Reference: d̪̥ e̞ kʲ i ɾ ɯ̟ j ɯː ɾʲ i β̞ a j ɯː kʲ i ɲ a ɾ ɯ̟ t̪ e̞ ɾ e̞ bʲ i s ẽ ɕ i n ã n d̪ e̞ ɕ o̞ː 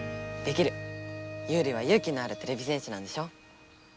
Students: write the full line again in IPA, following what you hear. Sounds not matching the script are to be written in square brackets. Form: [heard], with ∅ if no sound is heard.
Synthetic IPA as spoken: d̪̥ e̞ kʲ i ɾ ɯ̟ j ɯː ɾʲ i β̞ a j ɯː kʲ i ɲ a ɾ ɯ̟ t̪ e̞ ɾ e̞ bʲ i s ẽ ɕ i n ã n d̪ e̞ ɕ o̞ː